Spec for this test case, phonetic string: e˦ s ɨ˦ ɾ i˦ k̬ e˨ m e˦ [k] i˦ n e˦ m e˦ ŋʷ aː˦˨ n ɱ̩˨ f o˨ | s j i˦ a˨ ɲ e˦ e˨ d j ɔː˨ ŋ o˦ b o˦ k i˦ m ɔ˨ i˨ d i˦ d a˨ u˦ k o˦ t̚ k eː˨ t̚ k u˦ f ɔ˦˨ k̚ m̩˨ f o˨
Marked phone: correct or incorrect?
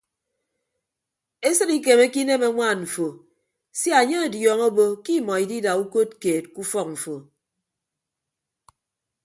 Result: correct